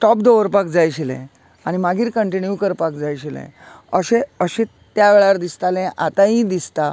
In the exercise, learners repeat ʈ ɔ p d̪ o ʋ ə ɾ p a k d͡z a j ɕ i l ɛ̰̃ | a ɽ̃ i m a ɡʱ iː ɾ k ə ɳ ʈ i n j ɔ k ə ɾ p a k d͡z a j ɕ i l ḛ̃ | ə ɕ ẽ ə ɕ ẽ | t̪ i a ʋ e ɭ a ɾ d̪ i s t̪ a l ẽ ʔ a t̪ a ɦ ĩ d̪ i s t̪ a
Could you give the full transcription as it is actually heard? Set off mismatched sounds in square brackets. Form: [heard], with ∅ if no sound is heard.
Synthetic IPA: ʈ ɔ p d̪ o ʋ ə ɾ p a k d͡z a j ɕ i l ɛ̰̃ | a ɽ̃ i m a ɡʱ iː ɾ k ə ɳ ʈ i n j [u] k ə ɾ p a k d͡z a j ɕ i l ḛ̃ | ə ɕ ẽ ə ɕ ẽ | t̪ [j] a ʋ e ɭ a ɾ d̪ i s t̪ a l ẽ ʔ a t̪ a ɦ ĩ d̪ i s t̪ a